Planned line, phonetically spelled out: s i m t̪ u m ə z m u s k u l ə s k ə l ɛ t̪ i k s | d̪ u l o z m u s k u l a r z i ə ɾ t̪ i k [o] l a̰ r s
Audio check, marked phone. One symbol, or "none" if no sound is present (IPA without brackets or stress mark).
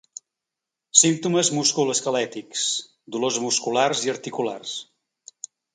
u